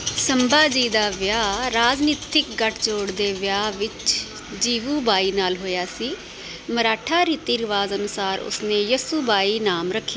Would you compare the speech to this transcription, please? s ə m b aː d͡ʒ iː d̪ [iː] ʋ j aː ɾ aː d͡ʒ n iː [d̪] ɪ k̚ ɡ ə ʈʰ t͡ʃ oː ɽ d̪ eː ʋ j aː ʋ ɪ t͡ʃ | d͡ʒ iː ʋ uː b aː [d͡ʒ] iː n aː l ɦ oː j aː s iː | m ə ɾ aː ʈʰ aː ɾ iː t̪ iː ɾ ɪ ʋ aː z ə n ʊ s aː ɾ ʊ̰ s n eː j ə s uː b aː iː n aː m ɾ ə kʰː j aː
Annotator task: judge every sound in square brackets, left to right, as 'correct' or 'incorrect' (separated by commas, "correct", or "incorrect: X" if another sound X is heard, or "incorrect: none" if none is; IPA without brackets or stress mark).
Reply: incorrect: aː, incorrect: t̪, incorrect: none